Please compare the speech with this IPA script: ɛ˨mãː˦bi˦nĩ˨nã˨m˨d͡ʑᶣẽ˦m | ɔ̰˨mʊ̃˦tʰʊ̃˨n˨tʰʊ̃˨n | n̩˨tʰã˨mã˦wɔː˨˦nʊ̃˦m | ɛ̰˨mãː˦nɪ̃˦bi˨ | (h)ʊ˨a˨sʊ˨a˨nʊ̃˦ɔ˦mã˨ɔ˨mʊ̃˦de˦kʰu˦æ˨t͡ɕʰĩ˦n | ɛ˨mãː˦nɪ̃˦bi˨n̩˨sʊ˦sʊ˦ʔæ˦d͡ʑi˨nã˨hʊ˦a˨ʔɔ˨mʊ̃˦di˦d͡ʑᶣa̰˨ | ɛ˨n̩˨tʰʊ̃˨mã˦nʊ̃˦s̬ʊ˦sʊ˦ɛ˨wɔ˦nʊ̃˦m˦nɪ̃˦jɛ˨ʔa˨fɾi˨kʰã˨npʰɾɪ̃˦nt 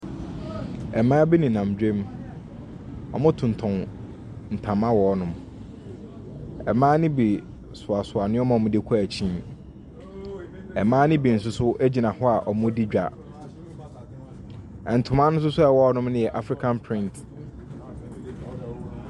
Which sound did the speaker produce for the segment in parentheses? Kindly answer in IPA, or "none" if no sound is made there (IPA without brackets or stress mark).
s